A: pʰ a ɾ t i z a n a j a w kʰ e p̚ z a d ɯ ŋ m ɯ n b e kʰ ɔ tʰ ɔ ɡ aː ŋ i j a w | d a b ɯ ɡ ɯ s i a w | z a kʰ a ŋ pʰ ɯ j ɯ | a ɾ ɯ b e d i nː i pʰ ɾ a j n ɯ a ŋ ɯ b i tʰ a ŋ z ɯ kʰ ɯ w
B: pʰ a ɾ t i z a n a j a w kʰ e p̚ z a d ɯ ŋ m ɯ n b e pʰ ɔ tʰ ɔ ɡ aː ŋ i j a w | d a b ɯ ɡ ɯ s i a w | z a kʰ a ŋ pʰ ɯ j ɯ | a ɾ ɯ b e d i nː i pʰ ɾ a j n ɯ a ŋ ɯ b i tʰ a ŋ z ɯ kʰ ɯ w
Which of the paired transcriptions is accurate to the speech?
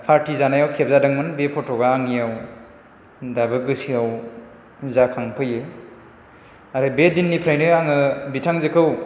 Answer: B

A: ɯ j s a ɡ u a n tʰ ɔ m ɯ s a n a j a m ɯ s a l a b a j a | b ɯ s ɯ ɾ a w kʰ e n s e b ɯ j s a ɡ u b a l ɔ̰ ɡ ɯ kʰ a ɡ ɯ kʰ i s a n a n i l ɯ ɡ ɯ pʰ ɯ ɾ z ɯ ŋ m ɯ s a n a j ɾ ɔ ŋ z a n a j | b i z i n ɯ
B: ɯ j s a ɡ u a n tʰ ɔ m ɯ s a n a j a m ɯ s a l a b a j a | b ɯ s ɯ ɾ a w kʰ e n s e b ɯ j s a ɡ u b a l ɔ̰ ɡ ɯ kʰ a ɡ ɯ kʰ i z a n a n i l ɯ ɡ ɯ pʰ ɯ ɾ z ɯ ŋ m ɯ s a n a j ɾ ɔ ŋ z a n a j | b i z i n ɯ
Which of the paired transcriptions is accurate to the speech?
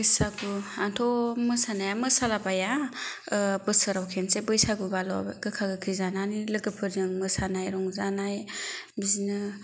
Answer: B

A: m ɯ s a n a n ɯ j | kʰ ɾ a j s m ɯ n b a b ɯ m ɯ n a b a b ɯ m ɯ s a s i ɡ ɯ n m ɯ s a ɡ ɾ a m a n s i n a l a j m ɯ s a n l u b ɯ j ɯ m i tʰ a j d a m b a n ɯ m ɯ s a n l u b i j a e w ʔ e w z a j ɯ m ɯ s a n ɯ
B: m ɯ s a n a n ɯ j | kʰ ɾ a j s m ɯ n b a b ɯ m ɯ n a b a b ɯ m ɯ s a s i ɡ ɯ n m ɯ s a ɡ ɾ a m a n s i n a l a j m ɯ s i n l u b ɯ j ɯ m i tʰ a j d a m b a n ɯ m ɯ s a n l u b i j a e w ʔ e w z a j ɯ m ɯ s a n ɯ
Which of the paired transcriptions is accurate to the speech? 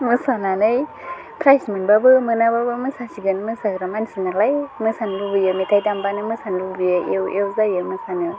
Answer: A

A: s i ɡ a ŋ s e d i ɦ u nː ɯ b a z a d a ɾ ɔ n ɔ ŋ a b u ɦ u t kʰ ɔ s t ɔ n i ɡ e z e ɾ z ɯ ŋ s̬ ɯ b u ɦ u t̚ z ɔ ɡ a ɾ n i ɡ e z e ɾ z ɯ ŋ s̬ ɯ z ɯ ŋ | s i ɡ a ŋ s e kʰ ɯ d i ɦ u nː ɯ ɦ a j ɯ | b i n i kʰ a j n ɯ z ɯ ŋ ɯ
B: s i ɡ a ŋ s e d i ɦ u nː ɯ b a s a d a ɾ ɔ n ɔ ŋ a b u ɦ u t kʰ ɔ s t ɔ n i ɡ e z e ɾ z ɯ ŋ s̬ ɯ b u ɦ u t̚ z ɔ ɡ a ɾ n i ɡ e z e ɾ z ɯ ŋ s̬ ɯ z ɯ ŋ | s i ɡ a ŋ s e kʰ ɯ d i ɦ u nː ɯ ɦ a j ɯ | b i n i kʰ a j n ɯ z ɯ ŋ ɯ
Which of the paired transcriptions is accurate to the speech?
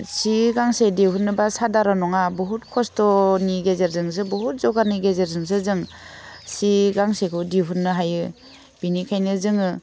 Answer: B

